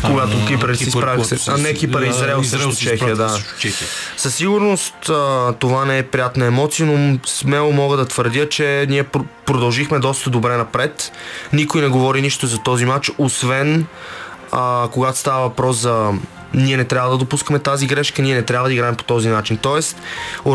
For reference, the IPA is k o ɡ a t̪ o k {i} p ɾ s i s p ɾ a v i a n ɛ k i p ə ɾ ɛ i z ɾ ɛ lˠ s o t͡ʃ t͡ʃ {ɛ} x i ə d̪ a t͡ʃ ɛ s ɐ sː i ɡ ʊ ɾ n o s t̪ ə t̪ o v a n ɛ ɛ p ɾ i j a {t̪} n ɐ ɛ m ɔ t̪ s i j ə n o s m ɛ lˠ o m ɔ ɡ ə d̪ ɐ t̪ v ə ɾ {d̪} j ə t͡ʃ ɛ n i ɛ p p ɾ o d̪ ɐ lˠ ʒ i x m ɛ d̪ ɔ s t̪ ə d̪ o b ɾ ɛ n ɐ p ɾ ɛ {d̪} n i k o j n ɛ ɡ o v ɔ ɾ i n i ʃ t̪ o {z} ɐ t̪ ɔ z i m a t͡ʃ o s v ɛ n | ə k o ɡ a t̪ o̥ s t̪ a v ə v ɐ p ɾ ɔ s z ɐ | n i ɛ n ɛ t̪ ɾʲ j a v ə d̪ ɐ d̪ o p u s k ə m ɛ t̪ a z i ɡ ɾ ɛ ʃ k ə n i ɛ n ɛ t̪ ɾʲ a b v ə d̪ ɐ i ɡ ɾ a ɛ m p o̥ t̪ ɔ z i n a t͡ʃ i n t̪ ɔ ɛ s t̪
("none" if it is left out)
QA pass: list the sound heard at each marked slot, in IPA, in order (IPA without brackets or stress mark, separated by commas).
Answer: i, ɛ, t̪, d̪, t̪, z